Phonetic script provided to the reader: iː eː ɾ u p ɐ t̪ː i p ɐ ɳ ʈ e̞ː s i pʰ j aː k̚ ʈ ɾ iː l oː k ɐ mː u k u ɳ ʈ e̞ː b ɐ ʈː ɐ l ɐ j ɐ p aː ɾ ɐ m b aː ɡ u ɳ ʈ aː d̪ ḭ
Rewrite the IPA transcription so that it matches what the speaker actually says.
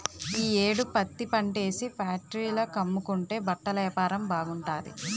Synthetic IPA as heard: iː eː ɽ u p ɐ t̪ː i p ɐ ɳ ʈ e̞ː s i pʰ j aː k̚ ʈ ɾ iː l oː k ɐ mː u k u ɳ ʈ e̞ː b ɐ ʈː ɐ l ɐ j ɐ p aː ɾ ɐ m b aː ɡ u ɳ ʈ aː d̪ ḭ